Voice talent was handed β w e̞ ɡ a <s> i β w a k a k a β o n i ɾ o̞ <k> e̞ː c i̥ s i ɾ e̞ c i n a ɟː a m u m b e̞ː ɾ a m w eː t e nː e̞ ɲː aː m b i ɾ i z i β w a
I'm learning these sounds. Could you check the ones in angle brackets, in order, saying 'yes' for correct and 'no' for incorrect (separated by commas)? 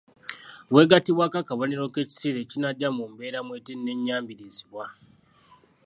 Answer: no, yes